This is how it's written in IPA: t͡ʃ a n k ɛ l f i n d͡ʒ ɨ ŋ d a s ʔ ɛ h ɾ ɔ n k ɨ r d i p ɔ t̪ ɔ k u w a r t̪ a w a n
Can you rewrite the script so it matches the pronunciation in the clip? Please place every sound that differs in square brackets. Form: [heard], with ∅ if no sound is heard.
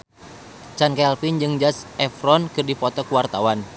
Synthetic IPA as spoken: t͡ʃ a n k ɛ l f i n d͡ʒ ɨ ŋ [d͡ʒ] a s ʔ ɛ [f] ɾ ɔ n k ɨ r d i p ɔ t̪ ɔ k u w a r t̪ a w a n